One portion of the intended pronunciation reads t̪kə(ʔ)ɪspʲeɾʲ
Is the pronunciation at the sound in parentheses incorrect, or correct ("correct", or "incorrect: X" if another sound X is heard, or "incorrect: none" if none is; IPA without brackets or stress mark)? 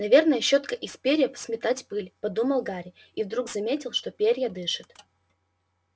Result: correct